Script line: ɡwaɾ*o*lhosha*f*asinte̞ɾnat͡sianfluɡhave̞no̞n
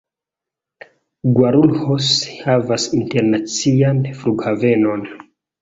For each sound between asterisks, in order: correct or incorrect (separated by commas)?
incorrect, incorrect